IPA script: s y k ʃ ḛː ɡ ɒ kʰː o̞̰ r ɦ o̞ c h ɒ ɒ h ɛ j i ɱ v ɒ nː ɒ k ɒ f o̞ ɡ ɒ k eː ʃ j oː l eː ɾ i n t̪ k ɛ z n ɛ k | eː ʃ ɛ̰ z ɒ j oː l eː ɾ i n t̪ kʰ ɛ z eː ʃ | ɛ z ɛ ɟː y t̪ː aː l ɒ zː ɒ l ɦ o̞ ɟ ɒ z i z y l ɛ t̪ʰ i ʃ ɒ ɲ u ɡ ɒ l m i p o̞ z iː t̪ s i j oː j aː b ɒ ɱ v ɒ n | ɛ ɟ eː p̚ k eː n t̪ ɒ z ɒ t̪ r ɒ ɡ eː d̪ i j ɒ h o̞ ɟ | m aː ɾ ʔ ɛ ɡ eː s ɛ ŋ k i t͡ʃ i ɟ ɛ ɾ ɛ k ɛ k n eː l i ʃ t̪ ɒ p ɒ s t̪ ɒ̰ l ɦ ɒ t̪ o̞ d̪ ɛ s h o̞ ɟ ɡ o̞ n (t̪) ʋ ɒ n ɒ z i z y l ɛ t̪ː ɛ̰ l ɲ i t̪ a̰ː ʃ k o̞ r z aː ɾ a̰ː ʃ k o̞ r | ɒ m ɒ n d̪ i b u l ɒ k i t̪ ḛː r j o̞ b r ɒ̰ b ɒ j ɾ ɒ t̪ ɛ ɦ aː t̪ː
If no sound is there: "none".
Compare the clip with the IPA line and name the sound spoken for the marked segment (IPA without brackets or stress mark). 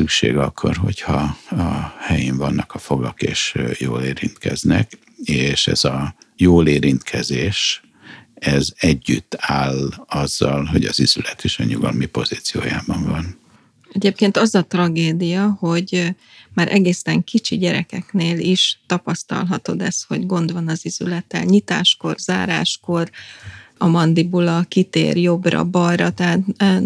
d̪